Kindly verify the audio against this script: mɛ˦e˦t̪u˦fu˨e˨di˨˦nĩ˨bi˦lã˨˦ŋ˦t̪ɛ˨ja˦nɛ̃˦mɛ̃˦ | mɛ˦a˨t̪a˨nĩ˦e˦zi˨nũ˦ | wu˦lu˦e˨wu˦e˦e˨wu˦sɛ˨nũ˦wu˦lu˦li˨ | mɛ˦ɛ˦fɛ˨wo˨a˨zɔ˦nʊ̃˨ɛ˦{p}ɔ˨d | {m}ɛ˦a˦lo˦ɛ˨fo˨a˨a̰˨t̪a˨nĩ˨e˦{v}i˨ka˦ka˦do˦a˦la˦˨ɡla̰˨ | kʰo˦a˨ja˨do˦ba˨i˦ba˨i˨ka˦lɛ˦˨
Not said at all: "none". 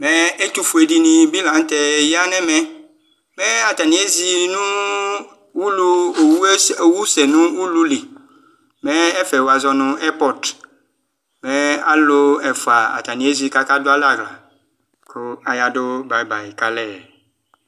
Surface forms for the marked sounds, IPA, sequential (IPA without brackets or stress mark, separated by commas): p, m, z